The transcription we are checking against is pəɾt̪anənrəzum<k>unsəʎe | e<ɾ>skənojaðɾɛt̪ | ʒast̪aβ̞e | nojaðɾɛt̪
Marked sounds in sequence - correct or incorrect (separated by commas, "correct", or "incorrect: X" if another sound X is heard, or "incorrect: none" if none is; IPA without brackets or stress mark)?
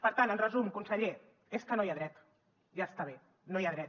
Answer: correct, incorrect: none